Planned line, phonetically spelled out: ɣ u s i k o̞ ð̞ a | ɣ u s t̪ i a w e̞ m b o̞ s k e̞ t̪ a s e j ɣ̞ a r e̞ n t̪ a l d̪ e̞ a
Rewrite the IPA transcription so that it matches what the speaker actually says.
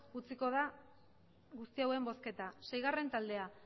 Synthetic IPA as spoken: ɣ u t͡s i k o̞ ð̞ a | ɣ u s t̪ i a w e̞ m b o̞ s k e̞ t̪ a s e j ɣ̞ a r e̞ n t̪ a l d̪ e̞ a